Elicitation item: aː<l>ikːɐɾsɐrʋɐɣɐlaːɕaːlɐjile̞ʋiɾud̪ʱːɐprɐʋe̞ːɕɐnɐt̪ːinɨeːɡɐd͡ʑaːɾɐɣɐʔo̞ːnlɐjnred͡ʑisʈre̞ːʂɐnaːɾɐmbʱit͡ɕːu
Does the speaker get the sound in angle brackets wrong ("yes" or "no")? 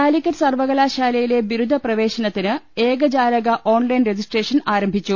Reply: no